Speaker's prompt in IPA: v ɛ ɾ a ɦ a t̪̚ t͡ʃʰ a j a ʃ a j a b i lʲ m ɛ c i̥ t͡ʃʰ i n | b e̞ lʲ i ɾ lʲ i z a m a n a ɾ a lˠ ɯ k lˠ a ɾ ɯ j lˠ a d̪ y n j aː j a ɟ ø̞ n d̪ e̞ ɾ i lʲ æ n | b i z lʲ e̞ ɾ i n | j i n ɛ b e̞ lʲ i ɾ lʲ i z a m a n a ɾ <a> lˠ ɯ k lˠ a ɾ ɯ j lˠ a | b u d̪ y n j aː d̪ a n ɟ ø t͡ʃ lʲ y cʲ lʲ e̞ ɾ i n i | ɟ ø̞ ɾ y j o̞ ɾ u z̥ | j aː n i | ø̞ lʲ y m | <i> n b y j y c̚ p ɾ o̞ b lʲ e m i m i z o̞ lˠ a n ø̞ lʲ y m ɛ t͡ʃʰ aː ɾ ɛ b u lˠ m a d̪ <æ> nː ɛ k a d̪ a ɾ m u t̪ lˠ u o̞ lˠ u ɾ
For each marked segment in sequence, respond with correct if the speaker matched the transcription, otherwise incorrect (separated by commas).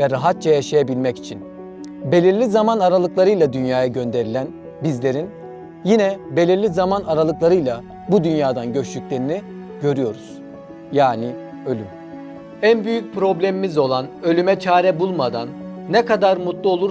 correct, incorrect, incorrect